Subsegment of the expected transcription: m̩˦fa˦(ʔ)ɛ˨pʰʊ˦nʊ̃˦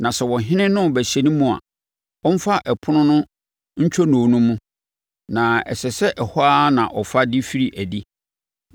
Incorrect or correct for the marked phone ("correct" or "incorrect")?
correct